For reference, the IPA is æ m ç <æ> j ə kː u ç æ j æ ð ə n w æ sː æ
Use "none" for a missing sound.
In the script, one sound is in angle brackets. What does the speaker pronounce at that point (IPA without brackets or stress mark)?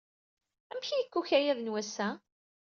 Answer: i